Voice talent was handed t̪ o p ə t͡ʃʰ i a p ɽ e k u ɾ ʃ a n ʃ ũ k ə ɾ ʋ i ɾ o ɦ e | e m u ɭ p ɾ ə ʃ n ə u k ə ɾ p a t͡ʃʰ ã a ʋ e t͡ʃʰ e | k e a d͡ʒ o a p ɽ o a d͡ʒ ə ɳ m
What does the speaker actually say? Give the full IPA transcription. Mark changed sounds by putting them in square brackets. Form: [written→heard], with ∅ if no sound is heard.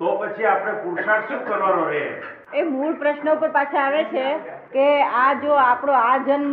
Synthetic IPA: t̪ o p ə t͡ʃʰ i a p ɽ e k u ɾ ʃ a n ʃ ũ k ə ɾ ʋ [i→a] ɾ o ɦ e | e m u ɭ p ɾ ə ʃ n ə u [k→p] ə ɾ p a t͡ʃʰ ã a ʋ e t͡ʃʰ e | k e a d͡ʒ o a p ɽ o a d͡ʒ ə [ɳ→n] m